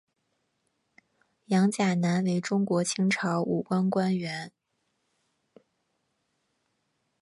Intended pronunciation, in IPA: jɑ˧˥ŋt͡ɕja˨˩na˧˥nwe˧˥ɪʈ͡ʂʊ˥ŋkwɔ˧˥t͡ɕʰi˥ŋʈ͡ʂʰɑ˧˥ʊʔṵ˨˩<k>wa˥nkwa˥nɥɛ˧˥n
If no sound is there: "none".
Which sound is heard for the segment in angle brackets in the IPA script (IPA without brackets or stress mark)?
k